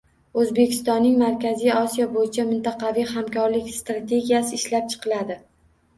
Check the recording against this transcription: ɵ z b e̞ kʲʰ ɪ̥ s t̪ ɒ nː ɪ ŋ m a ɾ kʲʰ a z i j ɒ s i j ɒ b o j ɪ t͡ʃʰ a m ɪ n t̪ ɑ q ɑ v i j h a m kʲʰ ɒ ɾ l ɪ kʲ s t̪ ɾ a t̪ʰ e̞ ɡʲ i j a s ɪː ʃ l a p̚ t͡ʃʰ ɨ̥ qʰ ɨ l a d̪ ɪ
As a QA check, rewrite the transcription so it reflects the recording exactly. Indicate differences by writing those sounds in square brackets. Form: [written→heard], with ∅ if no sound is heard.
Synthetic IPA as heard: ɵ z b e̞ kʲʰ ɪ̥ s t̪ ɒ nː ɪ ŋ m a ɾ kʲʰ a z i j ɒ s i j ɒ b o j ɪ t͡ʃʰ a m ɪ n t̪ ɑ q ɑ v i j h a m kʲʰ ɒ ɾ l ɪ kʲ s t̪ ɾ a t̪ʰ e̞ ɡʲ i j a s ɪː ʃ l a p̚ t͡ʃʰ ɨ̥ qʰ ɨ l a d̪ ɪ